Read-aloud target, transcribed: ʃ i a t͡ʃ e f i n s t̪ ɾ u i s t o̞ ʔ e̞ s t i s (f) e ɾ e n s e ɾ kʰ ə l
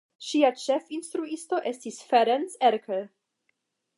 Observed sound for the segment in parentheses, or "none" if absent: f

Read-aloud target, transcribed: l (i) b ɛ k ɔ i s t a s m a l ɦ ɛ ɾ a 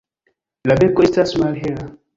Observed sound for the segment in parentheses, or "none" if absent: a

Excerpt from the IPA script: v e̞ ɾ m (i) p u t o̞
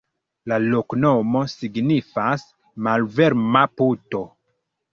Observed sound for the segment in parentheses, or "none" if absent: a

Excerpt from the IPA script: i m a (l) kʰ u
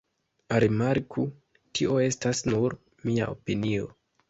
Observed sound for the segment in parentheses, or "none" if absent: ɾ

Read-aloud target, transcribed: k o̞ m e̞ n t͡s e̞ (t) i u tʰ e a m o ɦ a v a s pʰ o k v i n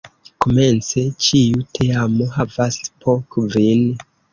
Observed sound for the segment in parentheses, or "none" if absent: t͡ʃ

